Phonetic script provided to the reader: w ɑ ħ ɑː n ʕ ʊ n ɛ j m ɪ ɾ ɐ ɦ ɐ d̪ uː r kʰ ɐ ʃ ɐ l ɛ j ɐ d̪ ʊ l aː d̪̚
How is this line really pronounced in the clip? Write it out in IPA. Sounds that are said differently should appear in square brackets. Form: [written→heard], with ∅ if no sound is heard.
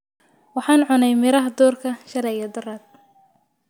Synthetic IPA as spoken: w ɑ ħ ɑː n ʕ ʊ n ɛ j m ɪ ɾ ɐ ɦ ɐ d̪ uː r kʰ ɐ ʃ ɐ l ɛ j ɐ d̪ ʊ [l→r] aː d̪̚